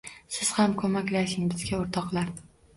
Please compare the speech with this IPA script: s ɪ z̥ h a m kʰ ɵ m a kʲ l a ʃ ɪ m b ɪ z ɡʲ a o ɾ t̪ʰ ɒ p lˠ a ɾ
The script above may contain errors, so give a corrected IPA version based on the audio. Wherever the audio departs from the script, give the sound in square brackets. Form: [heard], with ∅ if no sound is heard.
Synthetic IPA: s ɪ z̥ h a m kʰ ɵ m a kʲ l a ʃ ɪ [ŋ] b ɪ z ɡʲ a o ɾ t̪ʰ ɒ [q] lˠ a ɾ